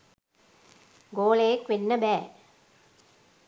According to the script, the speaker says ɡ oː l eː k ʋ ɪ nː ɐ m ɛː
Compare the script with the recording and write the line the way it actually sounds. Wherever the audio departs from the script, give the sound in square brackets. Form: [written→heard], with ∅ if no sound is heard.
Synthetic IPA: ɡ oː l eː k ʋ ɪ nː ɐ [m→b] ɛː